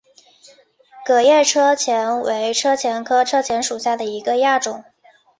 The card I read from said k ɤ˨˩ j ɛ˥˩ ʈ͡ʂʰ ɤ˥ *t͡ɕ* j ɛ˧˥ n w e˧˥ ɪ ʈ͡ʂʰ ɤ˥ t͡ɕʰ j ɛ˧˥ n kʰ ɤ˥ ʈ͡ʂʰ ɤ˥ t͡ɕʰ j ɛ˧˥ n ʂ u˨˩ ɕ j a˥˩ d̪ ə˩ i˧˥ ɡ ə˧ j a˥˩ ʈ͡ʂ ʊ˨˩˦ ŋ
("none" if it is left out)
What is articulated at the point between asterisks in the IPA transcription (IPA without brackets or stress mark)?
t͡ɕʰ